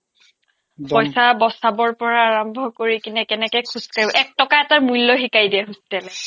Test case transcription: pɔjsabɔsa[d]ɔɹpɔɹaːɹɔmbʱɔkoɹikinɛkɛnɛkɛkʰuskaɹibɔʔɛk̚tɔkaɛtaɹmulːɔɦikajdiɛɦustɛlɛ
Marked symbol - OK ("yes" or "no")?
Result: no